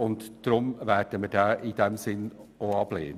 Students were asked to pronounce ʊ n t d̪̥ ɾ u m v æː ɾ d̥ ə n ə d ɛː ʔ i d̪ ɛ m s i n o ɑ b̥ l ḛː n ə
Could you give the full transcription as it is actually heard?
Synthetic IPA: ʊ n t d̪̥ ɾ ʊ m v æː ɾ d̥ ə m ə d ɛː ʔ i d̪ ɛ m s ɪ n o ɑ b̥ l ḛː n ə